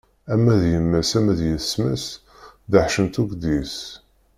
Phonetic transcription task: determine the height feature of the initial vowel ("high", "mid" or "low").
low